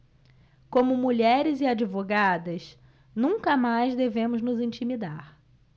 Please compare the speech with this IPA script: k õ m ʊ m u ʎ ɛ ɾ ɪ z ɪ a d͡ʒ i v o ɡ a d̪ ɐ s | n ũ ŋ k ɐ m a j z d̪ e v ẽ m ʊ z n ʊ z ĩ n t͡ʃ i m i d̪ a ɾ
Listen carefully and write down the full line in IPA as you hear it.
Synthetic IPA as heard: k õ m ʊ m u ʎ ɛ ɾ ɪ z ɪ a d͡ʒ i v o ɡ a d̪ ɐ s | n ũ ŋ k ɐ m a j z d̪ e v ẽ m ʊ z n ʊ z ĩ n t͡ʃ i m i d̪ a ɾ